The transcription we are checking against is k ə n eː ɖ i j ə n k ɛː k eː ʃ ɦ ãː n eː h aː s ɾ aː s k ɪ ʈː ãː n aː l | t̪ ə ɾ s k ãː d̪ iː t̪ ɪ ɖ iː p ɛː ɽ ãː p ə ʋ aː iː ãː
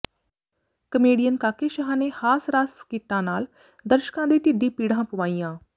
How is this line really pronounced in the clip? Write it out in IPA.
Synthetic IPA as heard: k ə m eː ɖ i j ə n k aː k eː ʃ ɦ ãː n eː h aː s ɾ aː s k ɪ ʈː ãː n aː l | d̪ ə ɾ ʃ k ãː d̪ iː t̪ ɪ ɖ iː p iː ɽ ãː p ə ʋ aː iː ãː